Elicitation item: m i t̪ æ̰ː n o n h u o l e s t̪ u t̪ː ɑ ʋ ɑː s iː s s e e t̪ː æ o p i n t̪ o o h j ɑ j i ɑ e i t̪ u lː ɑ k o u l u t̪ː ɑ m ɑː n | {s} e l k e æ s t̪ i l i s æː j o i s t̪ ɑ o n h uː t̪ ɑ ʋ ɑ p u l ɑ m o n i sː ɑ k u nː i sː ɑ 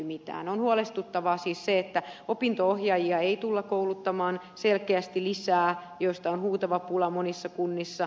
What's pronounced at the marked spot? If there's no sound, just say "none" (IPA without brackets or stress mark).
s